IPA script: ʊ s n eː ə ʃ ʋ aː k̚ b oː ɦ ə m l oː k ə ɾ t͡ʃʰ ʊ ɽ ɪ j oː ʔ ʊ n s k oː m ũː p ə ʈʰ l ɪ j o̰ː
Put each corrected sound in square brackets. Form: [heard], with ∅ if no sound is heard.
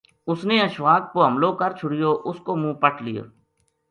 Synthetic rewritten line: ʊ s n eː ə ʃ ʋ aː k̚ [p] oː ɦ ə m l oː k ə ɾ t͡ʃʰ ʊ ɽ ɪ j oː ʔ ʊ [∅] s k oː m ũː p ə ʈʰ l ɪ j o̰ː

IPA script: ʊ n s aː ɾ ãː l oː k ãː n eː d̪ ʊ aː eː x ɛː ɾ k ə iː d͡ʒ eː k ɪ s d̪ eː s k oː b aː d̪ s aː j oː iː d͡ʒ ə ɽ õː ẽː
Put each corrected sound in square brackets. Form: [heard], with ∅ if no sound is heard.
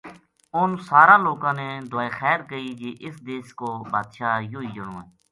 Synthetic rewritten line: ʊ n s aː ɾ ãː l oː k ãː n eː d̪ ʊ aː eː x ɛː ɾ k ə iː d͡ʒ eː [ʔ] ɪ s d̪ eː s k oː b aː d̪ [ʃ] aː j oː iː d͡ʒ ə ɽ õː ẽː

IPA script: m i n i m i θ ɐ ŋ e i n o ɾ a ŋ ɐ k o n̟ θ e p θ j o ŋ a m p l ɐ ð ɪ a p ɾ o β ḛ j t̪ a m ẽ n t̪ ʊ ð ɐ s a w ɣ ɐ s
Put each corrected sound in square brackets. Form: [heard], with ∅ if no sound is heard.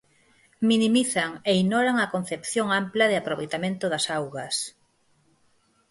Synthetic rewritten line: m i n i m i θ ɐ ŋ e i n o ɾ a ŋ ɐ k o n̟ θ e p θ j o ŋ a m p l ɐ ð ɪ a p ɾ o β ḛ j t̪ a m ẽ n t̪ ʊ ð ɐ s a w ɣ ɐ s

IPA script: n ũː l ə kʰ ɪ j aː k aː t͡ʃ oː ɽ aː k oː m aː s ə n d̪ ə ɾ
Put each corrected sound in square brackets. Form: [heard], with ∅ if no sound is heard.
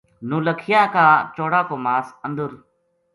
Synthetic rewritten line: n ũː l ə kʰ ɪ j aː k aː t͡ʃ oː ɽ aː k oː m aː s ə n d̪ ə ɾ

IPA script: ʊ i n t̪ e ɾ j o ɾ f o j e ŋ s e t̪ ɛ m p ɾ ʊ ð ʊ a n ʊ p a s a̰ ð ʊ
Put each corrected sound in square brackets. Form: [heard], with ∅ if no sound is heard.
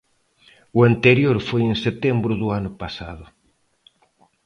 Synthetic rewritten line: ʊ [a] n t̪ e ɾ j o ɾ f o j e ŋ s e t̪ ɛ m [b] ɾ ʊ ð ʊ a n ʊ p a s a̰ ð ʊ

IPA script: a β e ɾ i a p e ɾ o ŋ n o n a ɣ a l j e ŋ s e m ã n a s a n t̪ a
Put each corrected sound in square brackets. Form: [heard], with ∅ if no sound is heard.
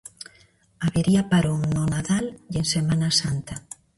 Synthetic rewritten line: a β e ɾ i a p [a] ɾ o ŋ n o n a [ð] a l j e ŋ s e m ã n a s a n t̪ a

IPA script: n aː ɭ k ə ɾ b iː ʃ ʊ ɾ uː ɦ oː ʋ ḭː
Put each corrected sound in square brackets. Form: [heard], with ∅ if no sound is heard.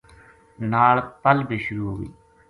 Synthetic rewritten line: n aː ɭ [p] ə [l] b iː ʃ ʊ ɾ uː ɦ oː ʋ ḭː

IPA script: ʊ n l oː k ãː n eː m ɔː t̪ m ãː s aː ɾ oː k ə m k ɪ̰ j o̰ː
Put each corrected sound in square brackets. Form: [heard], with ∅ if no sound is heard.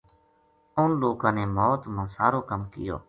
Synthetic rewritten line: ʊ n l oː k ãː n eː m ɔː t̪ m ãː s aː ɾ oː k ə m k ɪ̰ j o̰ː

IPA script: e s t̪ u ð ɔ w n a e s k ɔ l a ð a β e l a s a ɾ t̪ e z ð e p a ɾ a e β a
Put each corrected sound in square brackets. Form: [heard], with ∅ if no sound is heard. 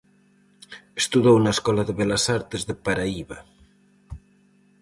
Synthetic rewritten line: e s t̪ u ð [o] w n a e s k ɔ l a ð [e] β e l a s a ɾ t̪ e z ð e p a ɾ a [i] β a

